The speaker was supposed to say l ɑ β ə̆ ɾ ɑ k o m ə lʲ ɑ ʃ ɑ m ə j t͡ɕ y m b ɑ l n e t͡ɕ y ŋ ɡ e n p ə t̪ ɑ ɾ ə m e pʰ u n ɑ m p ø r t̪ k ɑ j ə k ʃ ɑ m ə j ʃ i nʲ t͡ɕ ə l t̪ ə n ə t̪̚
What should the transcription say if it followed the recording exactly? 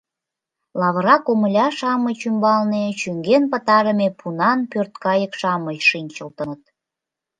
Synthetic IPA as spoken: l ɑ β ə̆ ɾ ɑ k o m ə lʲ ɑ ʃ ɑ m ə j t͡ɕ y m b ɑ l n e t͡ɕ y ŋ ɡ e n p ə t̪ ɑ ɾ ə m e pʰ u n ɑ n p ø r t̪ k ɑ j ə k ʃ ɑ m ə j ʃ i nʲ t͡ɕ ə l t̪ ə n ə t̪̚